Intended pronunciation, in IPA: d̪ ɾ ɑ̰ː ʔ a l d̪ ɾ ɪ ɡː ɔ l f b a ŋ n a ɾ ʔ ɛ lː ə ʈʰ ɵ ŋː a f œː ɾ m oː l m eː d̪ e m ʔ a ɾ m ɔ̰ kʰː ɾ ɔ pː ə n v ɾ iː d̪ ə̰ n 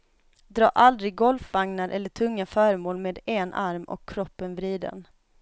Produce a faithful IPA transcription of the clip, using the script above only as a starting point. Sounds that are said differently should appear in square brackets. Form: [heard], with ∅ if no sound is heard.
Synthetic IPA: d̪ ɾ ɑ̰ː ʔ a l d̪ ɾ ɪ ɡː ɔ l f [v] a ŋ n a ɾ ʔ ɛ lː ə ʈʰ ɵ ŋː a f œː ɾ m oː l m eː d̪ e [n] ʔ a ɾ m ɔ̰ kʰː ɾ ɔ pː ə n v ɾ iː d̪ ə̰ n